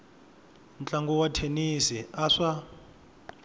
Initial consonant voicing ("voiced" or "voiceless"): voiced